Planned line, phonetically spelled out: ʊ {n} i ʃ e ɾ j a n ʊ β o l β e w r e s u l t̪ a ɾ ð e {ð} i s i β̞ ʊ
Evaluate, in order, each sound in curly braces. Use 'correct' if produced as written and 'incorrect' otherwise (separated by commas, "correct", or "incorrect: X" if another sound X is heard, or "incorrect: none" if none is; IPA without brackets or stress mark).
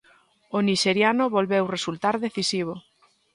correct, incorrect: θ